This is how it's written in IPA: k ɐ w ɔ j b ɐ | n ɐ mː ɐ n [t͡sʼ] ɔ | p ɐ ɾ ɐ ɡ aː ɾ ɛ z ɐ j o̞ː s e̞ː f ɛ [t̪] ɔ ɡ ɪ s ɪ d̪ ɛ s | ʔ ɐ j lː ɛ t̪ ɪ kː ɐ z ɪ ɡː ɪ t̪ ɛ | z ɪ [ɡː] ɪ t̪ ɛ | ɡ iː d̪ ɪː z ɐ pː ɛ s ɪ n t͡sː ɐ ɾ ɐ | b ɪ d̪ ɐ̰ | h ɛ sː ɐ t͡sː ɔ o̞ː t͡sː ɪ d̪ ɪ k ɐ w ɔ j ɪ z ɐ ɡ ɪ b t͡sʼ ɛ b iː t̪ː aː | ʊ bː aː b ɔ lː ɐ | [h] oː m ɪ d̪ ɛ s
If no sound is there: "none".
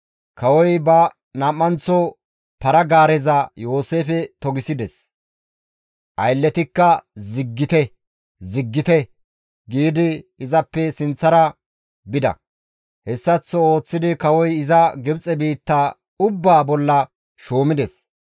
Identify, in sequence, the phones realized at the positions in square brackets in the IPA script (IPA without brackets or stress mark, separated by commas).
t͡s, t̪, ɡː, ʃ